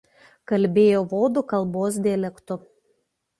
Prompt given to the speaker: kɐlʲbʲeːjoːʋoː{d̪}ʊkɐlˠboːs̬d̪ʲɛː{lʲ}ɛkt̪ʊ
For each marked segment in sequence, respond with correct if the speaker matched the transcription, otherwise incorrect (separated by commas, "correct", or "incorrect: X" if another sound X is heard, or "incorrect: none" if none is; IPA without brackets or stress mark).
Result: correct, correct